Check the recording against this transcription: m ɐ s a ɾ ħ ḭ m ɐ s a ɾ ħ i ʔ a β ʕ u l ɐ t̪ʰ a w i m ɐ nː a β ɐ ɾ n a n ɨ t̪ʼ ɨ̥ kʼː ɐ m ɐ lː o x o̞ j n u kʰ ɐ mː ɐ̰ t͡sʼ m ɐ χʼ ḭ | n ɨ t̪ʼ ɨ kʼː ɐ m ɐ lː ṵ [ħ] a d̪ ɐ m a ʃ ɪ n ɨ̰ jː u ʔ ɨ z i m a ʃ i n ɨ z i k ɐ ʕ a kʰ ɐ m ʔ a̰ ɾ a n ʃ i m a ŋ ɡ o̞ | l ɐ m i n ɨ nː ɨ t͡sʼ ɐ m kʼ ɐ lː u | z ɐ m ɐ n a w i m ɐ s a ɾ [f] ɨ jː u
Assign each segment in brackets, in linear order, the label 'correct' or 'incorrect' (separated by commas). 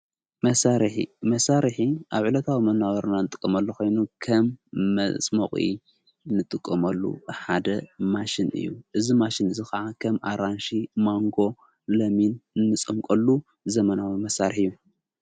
correct, incorrect